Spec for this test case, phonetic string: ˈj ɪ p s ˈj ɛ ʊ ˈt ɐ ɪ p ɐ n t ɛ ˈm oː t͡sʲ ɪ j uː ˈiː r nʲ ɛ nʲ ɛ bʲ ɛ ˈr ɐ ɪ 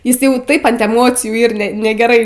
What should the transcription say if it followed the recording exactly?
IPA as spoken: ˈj ɪ s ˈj ɛ ʊ ˈt ɐ ɪ p ɐ n t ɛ ˈm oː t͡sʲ ɪ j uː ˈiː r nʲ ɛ nʲ ɛ ɡʲ ɛ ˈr ɐ ɪ